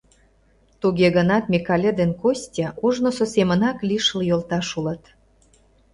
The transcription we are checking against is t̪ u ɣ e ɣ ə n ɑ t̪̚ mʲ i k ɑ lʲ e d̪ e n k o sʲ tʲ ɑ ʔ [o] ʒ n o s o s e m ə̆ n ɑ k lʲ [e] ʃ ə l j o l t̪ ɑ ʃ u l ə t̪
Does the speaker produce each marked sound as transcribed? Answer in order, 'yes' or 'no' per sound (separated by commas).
no, no